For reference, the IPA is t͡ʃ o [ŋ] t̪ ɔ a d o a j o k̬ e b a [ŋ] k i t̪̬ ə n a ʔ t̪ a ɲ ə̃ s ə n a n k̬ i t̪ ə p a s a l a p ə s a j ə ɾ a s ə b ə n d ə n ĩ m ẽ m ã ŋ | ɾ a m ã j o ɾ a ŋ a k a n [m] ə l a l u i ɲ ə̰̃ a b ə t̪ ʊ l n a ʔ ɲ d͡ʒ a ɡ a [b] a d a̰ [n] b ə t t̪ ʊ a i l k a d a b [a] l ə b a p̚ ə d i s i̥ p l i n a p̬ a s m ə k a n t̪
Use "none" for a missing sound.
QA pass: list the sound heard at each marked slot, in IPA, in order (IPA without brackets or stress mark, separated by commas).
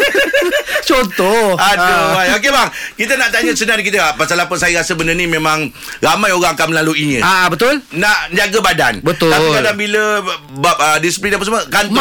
n, ŋ, m, b, n, i